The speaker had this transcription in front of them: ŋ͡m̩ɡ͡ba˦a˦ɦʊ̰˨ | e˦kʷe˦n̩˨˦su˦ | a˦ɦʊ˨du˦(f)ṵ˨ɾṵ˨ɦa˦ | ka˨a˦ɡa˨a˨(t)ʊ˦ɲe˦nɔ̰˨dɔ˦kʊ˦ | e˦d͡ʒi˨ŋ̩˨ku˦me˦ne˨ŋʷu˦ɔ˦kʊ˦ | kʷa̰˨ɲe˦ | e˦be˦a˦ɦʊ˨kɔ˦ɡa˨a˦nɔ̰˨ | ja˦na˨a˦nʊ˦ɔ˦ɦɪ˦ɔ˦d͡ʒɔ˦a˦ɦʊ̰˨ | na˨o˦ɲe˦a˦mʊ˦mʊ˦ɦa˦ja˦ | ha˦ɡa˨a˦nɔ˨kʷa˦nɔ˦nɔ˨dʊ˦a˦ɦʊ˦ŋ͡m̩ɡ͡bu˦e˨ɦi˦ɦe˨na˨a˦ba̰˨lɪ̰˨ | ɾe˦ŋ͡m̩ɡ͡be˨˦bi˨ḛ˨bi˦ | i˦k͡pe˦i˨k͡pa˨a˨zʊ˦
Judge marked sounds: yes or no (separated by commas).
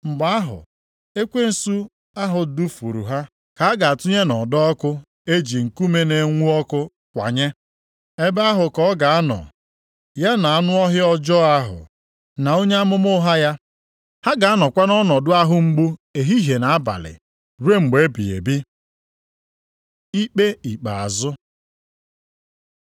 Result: yes, yes